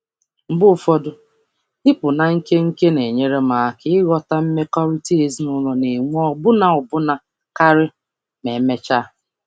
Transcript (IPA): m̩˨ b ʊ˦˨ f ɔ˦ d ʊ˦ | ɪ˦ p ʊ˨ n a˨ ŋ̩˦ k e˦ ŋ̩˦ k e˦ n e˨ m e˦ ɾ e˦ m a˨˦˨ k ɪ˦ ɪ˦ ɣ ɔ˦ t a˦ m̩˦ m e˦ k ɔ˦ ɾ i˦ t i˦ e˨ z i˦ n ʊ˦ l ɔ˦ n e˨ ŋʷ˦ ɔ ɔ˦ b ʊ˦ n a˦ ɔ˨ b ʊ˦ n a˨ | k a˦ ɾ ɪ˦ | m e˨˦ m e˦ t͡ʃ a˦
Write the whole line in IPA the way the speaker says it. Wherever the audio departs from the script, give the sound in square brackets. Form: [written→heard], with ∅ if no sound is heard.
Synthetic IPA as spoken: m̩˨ b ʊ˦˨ f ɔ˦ d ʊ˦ | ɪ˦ p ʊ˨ n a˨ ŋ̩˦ k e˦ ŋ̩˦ k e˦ n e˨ [m→ɲ] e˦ ɾ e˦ m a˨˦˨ k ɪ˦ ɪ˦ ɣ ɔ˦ t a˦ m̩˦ m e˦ k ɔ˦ ɾ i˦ t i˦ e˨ z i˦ n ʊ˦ l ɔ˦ n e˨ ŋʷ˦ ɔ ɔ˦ b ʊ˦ n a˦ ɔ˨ b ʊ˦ n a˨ | k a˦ ɾ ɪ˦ | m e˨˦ m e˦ t͡ʃ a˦